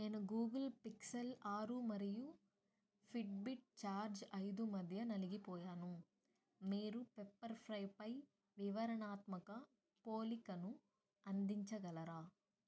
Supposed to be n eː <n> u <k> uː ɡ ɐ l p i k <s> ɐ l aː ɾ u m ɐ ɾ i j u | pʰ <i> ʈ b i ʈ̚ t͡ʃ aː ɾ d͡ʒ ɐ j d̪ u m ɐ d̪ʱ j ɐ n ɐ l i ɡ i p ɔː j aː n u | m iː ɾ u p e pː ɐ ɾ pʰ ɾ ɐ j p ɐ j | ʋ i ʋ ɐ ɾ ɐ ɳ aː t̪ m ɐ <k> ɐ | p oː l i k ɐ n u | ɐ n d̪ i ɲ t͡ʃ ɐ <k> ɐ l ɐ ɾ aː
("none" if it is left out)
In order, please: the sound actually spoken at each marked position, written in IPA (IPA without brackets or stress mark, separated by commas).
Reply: n, ɡ, s, i, k, ɡ